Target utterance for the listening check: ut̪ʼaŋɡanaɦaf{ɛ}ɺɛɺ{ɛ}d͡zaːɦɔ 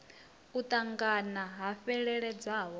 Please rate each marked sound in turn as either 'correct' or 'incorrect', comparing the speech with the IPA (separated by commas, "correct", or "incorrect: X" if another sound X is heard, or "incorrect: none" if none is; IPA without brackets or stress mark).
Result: correct, correct